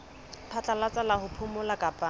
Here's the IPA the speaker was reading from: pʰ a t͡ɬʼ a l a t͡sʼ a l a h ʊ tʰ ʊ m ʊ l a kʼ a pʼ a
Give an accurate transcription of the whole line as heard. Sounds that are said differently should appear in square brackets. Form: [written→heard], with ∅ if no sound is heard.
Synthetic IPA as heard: pʰ a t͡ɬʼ a l a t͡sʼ a l a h ʊ [tʰ→pʰ] ʊ m ʊ l a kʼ a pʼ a